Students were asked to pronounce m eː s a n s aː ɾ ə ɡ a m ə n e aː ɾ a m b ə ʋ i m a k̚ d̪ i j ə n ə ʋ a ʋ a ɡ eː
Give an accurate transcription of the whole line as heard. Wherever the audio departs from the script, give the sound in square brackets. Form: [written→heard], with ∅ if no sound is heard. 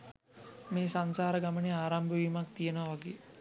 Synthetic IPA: m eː s a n s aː ɾ ə ɡ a m ə n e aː ɾ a m b ə ʋ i m a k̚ [d̪→t̪] i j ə n ə ʋ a ʋ a ɡ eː